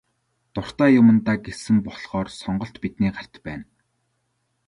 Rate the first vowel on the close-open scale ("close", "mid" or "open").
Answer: close